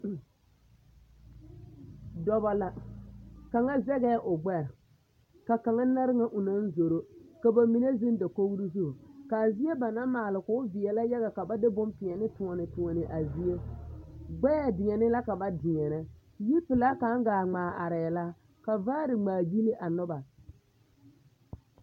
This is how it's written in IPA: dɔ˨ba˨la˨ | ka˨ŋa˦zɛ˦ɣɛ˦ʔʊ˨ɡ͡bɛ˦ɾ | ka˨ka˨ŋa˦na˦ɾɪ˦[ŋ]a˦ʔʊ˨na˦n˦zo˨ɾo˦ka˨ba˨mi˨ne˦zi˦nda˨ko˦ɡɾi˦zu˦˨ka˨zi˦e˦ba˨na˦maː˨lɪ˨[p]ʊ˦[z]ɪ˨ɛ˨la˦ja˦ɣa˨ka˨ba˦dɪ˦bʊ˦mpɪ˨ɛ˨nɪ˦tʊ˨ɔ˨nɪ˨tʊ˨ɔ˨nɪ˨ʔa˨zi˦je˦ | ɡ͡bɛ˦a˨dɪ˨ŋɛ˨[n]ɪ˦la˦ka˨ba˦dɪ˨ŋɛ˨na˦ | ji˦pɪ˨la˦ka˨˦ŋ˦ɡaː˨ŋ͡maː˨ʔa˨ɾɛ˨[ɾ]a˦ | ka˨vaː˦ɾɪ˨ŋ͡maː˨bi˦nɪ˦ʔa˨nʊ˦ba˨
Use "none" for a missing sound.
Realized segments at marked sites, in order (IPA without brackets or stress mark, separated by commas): ŋ, k, v, n, l